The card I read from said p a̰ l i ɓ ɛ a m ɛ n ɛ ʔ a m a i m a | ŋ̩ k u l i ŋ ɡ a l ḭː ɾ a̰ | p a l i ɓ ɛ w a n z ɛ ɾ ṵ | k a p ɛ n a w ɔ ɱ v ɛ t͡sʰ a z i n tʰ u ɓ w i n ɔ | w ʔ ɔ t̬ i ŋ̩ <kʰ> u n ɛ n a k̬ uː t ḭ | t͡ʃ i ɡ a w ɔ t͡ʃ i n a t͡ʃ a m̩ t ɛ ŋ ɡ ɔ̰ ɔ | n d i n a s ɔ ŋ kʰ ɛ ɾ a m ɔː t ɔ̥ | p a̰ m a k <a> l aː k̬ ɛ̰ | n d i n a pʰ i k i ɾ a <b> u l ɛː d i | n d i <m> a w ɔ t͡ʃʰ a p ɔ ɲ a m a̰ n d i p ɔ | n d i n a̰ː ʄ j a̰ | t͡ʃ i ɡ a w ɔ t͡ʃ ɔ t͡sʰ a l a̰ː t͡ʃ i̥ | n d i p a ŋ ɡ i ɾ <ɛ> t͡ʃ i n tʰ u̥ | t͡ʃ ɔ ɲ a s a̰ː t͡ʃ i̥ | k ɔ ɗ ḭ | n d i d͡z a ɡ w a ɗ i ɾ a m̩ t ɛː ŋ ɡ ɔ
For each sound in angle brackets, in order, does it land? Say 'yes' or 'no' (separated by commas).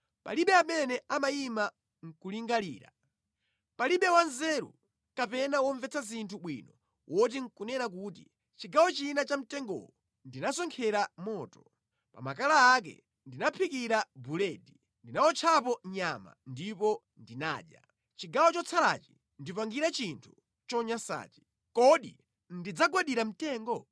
no, yes, yes, no, no